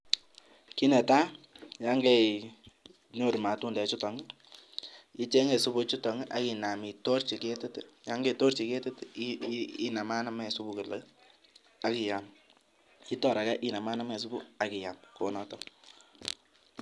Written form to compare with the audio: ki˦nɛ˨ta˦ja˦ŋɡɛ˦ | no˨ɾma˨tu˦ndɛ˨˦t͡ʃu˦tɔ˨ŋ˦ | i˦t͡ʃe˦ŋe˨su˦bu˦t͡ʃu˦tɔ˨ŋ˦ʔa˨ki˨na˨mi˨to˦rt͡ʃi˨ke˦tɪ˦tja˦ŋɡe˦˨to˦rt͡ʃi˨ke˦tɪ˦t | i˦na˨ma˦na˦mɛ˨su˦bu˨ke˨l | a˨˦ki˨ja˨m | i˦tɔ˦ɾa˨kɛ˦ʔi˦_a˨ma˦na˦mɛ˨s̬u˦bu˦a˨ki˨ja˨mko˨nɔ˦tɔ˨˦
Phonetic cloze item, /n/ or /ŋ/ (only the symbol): n